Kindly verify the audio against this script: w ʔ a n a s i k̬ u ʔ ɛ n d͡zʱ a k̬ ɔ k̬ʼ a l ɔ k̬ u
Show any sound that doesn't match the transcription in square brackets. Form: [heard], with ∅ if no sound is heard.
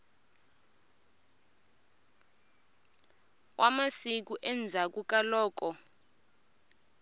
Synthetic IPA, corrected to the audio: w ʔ a [m] a s i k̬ u ʔ ɛ n d͡zʱ a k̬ [u] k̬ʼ a l [ɔː] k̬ [ɔ]